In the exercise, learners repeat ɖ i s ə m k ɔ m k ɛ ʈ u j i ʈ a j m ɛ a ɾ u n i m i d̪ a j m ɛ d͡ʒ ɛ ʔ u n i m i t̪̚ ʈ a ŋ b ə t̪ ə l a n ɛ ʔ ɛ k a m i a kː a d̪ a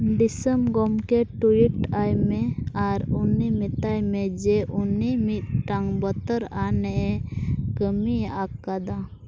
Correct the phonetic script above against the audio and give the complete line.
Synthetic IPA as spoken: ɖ i s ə m ɡ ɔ m k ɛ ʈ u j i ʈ a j m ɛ a ɾ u n i m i t̪ a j m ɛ d͡ʒ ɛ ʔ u n i m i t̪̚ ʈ a ŋ b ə t̪ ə ɾ a n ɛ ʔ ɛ k ə m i a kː a d̪ a